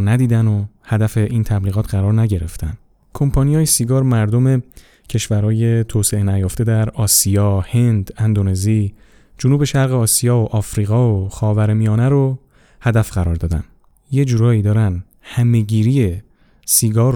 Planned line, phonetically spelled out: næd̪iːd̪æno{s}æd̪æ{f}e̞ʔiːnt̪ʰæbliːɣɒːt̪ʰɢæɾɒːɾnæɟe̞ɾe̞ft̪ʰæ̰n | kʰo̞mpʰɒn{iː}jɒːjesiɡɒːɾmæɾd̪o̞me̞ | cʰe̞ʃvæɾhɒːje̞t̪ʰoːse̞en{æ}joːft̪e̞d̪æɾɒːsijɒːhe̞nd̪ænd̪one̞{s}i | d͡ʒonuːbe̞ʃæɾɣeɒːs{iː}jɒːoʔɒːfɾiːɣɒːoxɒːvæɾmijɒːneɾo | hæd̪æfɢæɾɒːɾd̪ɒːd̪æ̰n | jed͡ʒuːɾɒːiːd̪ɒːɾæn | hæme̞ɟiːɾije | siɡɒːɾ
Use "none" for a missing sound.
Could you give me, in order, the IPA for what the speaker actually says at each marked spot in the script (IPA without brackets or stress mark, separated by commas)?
h, f, i, æ, z, i